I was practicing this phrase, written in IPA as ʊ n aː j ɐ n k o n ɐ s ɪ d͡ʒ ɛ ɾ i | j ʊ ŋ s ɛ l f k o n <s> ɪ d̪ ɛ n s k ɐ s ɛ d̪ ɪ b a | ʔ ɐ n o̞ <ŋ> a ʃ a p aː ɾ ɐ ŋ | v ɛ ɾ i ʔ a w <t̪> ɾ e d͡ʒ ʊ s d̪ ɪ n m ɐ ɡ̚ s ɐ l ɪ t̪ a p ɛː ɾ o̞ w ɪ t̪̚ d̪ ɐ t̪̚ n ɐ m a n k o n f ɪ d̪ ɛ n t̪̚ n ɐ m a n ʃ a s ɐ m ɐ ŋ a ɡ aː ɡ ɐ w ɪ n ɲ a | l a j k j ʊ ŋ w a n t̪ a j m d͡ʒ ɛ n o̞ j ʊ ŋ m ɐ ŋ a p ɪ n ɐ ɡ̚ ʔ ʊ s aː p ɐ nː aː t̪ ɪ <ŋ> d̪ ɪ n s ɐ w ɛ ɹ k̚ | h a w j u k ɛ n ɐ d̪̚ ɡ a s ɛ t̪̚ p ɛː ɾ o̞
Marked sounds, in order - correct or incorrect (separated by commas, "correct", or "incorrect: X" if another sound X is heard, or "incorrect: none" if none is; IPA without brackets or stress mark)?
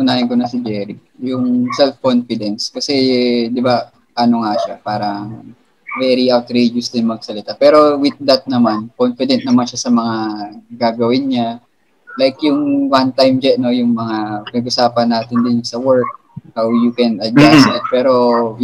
incorrect: f, correct, correct, incorrect: n